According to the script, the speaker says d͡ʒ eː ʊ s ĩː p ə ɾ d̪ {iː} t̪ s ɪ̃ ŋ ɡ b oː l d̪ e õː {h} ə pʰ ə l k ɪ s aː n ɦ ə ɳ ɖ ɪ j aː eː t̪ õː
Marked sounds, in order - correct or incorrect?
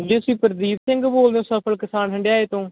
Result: correct, incorrect

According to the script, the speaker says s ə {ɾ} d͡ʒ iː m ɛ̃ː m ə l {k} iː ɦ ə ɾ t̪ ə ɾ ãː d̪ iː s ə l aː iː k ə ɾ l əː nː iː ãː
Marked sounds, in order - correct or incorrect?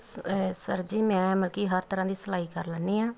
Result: correct, correct

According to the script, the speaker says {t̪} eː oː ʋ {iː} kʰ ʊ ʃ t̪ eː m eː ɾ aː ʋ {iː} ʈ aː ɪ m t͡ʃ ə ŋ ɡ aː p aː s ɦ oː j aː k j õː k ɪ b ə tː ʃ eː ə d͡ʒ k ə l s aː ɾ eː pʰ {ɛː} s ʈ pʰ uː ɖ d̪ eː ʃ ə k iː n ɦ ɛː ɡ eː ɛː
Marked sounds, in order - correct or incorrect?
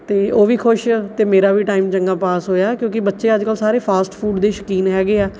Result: correct, correct, correct, incorrect

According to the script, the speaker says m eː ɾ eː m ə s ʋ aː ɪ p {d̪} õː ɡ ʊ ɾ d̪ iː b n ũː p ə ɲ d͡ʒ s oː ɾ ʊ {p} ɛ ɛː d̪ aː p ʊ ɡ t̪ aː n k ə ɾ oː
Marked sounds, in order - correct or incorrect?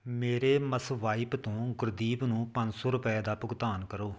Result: incorrect, correct

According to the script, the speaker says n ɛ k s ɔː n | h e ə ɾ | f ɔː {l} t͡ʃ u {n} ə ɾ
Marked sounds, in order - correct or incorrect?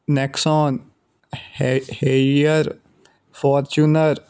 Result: incorrect, correct

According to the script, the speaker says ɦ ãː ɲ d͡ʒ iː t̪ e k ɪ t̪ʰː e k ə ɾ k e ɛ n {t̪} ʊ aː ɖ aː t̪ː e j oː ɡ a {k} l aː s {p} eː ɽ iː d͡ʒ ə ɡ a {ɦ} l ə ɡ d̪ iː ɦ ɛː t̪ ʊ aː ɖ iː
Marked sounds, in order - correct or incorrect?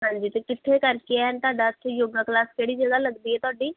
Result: correct, correct, incorrect, incorrect

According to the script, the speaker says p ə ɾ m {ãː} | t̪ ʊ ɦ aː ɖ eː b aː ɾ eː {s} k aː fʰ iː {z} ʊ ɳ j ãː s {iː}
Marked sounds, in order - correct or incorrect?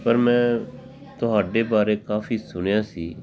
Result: incorrect, incorrect, incorrect, correct

